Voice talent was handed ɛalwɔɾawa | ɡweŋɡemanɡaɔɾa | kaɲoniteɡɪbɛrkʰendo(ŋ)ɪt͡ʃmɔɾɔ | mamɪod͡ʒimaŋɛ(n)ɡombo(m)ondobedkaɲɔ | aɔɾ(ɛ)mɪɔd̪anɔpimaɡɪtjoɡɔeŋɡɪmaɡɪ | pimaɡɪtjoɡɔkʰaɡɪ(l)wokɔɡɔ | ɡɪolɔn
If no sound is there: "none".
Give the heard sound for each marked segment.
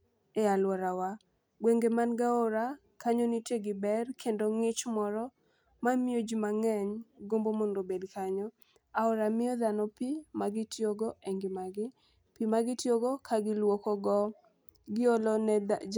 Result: ŋ, ɲ, m, a, l

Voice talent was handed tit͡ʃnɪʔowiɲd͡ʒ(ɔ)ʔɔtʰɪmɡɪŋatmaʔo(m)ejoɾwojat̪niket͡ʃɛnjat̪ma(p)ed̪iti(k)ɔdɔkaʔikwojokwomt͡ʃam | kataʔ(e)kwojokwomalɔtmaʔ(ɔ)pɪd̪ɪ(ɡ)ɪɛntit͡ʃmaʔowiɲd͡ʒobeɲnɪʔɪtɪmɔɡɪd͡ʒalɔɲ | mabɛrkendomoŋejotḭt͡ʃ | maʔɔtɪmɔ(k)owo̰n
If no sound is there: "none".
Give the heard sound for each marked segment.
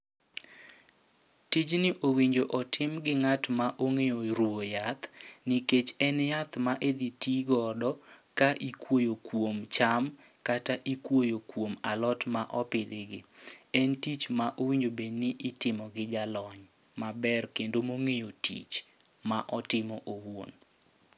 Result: o, ŋ, ʔ, ɡ, i, ɔ, ɡ, ʔ

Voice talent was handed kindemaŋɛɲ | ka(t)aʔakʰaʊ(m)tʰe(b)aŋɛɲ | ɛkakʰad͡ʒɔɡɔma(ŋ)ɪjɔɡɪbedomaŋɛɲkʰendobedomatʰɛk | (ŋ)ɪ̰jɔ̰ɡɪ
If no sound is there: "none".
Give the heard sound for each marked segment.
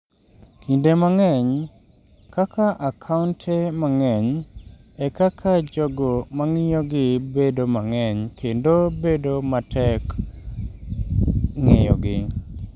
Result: k, n, m, ŋ, ŋ

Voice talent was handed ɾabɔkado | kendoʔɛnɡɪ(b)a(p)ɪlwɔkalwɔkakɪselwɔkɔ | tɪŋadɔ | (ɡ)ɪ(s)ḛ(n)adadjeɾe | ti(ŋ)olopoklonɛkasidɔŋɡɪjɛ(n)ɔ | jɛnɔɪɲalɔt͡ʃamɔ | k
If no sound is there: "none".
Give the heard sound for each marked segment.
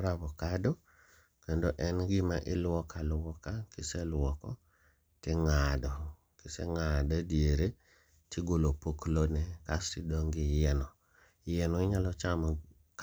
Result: m, ʔ, k, s, ŋ, ɡ, n

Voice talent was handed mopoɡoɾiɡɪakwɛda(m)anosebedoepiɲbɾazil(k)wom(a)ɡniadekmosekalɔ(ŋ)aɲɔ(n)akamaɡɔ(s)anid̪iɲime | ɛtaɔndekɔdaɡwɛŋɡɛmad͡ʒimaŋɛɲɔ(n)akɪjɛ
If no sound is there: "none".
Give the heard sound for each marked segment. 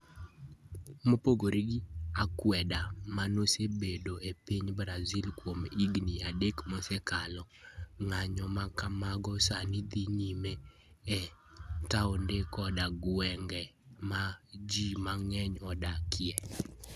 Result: m, k, i, ŋ, m, s, d

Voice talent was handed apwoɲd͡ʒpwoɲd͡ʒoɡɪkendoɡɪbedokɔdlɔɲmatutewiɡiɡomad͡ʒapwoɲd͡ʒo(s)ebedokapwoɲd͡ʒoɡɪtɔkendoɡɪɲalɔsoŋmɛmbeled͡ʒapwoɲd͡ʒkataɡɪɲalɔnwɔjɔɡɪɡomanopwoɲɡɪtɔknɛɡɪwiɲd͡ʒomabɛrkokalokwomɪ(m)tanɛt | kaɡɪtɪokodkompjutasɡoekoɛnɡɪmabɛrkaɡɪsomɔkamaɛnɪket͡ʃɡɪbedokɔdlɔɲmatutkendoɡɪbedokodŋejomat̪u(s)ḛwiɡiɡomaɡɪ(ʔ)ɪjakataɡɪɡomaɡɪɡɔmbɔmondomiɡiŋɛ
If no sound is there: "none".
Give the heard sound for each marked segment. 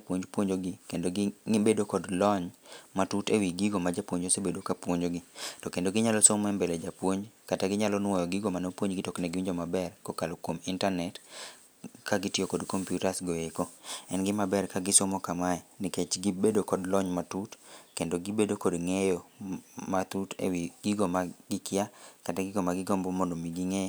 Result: s, n, t, k

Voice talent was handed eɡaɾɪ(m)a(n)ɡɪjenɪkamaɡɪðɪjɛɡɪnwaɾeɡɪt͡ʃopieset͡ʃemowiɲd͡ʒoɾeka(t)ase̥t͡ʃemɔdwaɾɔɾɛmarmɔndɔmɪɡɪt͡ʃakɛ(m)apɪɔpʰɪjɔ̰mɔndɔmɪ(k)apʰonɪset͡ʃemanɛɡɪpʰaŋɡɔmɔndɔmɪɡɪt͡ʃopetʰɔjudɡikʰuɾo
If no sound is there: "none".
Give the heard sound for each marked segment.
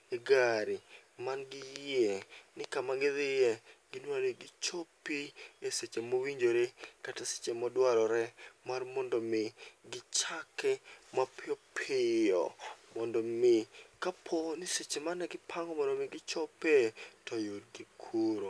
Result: m, n, t, m, k

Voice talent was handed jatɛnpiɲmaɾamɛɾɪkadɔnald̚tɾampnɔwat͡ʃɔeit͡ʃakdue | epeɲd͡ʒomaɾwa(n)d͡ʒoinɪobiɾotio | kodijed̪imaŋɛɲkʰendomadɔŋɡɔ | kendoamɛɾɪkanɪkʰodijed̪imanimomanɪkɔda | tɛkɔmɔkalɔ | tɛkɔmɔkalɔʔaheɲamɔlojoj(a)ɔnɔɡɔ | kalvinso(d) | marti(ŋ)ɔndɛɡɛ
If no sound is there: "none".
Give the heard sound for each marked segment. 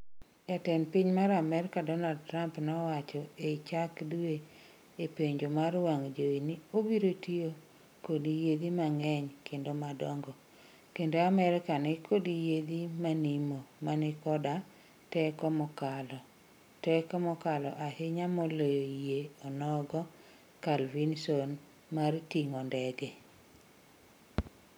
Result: ŋ, e, n, ŋ

